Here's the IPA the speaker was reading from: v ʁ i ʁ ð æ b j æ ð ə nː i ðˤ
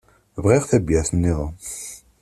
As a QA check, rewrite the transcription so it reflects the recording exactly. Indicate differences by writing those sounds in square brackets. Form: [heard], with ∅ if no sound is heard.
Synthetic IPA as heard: v ʁ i ʁ [θ] æ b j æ [θ] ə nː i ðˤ